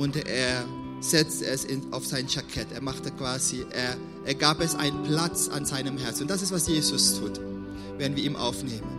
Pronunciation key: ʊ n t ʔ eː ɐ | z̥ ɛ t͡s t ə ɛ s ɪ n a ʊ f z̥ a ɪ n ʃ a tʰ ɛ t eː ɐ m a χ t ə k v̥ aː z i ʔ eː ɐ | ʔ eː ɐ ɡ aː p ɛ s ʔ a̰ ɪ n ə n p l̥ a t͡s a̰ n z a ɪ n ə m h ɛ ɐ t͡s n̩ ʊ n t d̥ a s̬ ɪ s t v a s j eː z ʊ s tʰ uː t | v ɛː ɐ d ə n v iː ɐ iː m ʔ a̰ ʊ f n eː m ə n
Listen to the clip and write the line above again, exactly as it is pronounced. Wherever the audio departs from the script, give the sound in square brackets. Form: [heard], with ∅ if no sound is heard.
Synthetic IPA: ʊ n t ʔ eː ɐ | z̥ ɛ t͡s t ə ɛ s ɪ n a ʊ f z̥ a ɪ n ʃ a [kʰ] ɛ t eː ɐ m a χ t ə k v̥ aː z i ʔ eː ɐ | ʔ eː ɐ ɡ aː p ɛ s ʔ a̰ ɪ n ə n p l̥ a t͡s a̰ n z a ɪ n ə m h ɛ ɐ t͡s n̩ ʊ n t d̥ a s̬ ɪ s t v a s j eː z ʊ s tʰ uː t | v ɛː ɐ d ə n v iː ɐ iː m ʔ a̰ ʊ f n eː m ə n